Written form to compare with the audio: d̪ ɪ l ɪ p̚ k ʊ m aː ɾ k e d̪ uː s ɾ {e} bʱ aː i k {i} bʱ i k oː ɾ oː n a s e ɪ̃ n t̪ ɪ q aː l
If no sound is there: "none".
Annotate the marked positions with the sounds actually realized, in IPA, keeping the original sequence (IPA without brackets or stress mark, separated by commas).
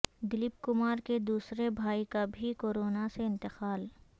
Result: e, a